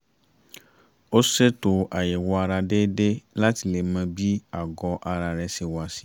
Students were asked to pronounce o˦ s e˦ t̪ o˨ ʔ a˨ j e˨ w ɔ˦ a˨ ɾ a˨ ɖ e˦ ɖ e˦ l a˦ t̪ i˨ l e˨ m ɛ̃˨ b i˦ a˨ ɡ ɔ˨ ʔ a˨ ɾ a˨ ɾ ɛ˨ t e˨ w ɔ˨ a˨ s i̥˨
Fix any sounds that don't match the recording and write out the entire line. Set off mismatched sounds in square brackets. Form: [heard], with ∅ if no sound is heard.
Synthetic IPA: o˦ s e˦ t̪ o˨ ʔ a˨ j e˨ w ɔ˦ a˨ ɾ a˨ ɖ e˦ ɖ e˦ l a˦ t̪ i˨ l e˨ m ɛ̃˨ b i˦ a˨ ɡ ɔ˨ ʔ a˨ ɾ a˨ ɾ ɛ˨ [s] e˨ w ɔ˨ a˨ s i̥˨